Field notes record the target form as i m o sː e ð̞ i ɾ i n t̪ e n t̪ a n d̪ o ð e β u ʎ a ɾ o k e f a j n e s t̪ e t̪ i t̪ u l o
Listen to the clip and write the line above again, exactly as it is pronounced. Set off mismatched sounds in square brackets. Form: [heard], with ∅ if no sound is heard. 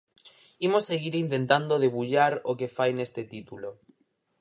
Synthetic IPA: i m o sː e [ɣ̞] i ɾ i n t̪ e n t̪ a n d̪ o ð e β u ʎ a ɾ o k e f a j n e s t̪ e t̪ i t̪ u l o